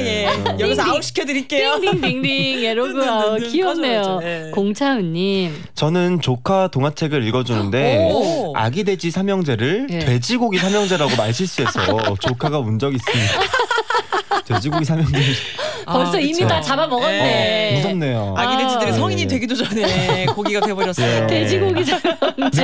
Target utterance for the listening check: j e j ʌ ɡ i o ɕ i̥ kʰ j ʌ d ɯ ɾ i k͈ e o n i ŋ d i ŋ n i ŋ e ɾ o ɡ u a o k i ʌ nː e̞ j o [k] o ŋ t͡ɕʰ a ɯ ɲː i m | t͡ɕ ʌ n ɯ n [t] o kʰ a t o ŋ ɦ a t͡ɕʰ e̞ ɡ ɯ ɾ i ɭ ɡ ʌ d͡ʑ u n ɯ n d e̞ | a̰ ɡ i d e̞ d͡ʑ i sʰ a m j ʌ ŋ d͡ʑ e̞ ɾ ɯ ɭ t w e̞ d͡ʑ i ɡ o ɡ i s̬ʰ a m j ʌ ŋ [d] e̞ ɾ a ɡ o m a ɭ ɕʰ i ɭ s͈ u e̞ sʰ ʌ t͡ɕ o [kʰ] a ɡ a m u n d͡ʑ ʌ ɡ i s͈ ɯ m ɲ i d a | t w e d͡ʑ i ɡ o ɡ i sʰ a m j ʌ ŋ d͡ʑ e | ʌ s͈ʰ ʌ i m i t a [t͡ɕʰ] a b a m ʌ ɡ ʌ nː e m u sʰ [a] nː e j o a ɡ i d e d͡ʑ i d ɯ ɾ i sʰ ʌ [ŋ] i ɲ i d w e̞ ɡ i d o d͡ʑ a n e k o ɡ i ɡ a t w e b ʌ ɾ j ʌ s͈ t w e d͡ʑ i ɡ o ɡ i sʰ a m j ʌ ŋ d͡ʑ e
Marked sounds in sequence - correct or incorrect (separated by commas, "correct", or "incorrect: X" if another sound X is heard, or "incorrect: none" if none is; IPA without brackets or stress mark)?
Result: correct, incorrect: t͡ɕ, incorrect: d͡ʑ, correct, incorrect: t͡ɕ, incorrect: ʌ, correct